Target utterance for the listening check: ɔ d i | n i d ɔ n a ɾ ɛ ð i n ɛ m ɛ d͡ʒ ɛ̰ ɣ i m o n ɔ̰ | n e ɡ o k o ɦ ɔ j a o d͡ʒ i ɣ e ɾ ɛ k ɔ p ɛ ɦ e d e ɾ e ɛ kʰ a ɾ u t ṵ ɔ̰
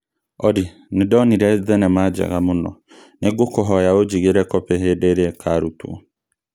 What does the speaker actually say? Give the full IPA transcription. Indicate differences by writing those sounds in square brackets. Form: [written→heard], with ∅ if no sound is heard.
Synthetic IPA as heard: ɔ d i | n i d ɔ n [a→i] ɾ ɛ ð [i→ɛ] n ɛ m [ɛ→a] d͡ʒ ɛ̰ ɣ [i→a] m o n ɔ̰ | n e ɡ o k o ɦ ɔ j a o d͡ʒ i ɣ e ɾ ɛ k ɔ p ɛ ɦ e d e ɾ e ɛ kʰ a ɾ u t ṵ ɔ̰

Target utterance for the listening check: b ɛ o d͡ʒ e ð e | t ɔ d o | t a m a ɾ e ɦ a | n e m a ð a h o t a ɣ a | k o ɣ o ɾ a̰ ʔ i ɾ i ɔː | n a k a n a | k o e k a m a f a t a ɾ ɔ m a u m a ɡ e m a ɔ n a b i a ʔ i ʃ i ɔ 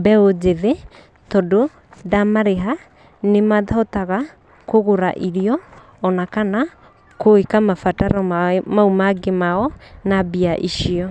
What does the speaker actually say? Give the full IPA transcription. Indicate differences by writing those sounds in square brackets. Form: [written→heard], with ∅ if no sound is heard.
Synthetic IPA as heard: b ɛ o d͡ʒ e ð e | t ɔ d o | [t→d] a m a ɾ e ɦ a | n e m a ð a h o t a ɣ a | k o ɣ o ɾ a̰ ʔ i ɾ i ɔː | n a k a n a | k o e k a m a f a t a ɾ ɔ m a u m a ɡ e m a ɔ n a b i a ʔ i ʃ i ɔ

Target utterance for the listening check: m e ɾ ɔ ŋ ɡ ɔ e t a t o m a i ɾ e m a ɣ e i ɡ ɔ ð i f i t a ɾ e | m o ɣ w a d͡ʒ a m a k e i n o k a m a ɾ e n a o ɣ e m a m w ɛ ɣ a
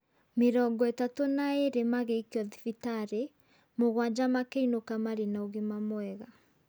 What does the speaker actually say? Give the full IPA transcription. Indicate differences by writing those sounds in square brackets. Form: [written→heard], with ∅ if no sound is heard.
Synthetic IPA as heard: m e ɾ ɔ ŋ ɡ ɔ e t a t o [m→n] a [i→e] ɾ e m a ɣ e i [ɡ→k] ɔ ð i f i t a ɾ e | m o ɣ w a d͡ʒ a m a k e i n o k a m a ɾ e n a o ɣ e m a m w ɛ ɣ a

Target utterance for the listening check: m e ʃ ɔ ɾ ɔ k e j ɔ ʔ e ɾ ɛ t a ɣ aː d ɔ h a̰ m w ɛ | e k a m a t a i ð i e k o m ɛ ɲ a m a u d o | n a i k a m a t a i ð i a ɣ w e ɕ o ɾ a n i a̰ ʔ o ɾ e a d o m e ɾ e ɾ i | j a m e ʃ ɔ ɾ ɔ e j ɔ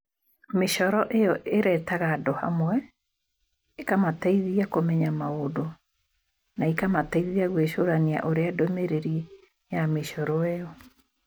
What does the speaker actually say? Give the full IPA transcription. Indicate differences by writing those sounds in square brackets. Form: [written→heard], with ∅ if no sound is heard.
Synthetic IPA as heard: m e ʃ ɔ ɾ ɔ [k→ʔ] e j ɔ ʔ e ɾ ɛ t a ɣ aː d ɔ h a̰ m w ɛ | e k a m a t a i ð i [e→a] k o m ɛ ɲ a m a [u→o] d o | n a i k a m a t a i ð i a ɣ w e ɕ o ɾ a n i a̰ ʔ o ɾ e a d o m e ɾ e ɾ i | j a m e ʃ ɔ ɾ ɔ e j ɔ

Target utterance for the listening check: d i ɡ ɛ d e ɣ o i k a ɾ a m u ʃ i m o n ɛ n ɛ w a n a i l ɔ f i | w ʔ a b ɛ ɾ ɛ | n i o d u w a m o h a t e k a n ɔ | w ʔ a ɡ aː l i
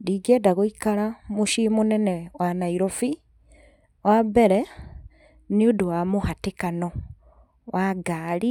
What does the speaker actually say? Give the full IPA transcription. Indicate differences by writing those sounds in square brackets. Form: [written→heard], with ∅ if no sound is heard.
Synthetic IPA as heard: d i ɡ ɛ d [e→a] ɣ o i k a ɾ a m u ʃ i m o n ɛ n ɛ w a n a i [l→ɾ] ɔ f i | w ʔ a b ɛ ɾ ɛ | n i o d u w a m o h a t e k a n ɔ | w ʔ a ɡ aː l i

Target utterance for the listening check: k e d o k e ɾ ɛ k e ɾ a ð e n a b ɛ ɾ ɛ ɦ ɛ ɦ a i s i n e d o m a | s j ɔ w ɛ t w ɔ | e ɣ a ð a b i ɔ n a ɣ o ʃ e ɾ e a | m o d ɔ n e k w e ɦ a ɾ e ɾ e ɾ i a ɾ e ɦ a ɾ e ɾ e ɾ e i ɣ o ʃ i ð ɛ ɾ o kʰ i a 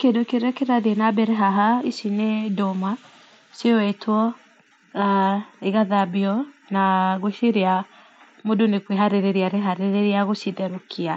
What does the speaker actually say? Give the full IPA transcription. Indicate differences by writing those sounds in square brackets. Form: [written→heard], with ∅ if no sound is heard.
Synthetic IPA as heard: k e d o k e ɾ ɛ k e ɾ a ð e n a b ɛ ɾ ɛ ɦ [ɛ→a] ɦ a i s i n e d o m a | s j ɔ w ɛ t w ɔ | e ɣ a ð a b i ɔ n a ɣ o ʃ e ɾ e a | m o d [ɔ→o] n e k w e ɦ a ɾ e ɾ e ɾ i a ɾ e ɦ a ɾ e ɾ e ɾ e [i→a] ɣ o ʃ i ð ɛ ɾ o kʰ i a

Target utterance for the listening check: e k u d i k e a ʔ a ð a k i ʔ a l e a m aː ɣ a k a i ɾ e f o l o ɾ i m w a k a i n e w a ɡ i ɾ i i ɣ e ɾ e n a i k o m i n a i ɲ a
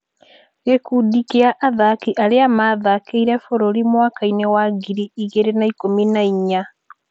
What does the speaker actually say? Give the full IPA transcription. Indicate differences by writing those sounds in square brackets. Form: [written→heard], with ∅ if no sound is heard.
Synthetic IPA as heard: e k u d i k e a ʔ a ð a k i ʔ a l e a m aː [ɣ→ð] a k [a→e] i ɾ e f o [l→ɾ] o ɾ i m w a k a i n e w a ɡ i ɾ i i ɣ e ɾ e n a i k o m i n a i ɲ a

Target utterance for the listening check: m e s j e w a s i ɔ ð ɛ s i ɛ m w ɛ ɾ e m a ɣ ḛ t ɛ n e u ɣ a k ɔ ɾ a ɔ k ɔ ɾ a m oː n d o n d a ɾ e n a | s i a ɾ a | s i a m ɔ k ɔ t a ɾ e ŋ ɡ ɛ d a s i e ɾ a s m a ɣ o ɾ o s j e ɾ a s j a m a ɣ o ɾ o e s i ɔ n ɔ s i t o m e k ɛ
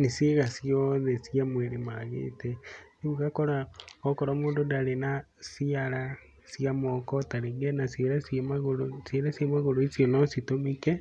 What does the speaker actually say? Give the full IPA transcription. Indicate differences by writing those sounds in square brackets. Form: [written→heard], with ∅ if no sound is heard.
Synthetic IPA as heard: [m→n] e s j e [w→ɣ] a s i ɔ ð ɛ s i [ɛ→a] m w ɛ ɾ e m a ɣ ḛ t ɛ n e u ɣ a k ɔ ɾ a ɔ k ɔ ɾ a m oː n d o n d a ɾ e n a | s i a ɾ a | s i a m ɔ k ɔ t a ɾ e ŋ ɡ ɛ [d→n] a s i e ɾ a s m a ɣ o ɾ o s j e ɾ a s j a m a ɣ o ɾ o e s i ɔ n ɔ s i t o m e k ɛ

